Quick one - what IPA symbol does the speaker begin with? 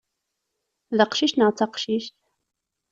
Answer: ð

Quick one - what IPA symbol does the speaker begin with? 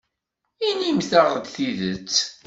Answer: i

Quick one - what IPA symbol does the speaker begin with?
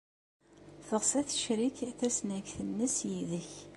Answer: θ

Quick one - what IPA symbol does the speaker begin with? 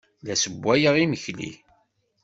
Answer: l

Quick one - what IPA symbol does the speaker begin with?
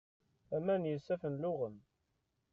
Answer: æ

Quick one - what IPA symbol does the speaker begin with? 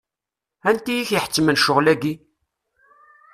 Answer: æ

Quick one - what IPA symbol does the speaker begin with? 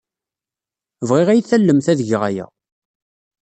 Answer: v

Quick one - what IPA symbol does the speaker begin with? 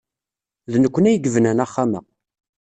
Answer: ð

